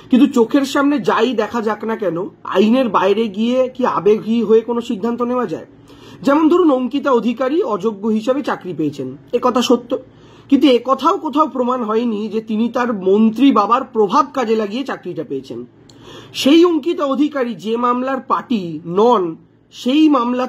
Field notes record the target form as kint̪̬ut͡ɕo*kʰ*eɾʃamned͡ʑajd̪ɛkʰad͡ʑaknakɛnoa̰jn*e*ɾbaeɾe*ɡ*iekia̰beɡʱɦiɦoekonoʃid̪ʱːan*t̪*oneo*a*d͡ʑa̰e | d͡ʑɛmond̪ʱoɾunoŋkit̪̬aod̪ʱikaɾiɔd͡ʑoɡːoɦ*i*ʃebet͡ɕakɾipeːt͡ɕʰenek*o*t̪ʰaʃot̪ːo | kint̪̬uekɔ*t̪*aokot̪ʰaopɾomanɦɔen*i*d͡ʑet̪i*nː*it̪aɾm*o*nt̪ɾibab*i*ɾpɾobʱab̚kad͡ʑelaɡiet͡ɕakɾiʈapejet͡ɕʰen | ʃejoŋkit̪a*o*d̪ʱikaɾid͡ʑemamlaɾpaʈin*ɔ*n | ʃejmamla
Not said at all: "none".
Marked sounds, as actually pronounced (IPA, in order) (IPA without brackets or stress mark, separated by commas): kʰ, e, ɡ, t̪, a, i, ɔ, t̪ʰ, i, n, o, a, o, ɔ